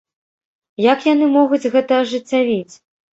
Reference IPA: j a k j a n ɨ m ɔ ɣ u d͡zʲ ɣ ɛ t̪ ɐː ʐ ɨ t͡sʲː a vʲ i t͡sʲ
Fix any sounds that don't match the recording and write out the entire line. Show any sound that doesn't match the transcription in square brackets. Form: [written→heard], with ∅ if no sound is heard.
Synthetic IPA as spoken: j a k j a n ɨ m ɔ ɣ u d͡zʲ ɣ ɛ t̪ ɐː ʐ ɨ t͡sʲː a vʲ i t͡sʲ